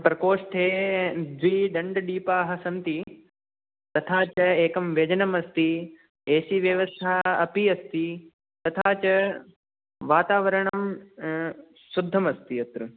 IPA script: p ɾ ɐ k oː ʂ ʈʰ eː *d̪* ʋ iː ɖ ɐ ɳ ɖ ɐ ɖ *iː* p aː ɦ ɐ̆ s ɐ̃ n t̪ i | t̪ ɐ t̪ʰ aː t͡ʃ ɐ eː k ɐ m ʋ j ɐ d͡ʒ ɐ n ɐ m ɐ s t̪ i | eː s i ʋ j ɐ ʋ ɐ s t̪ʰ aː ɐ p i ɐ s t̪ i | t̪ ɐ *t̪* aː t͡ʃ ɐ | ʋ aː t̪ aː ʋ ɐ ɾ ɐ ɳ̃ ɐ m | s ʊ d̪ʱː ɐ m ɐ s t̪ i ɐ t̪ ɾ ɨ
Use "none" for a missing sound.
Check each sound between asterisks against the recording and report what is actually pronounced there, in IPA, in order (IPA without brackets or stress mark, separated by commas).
d̪, iː, t̪ʰ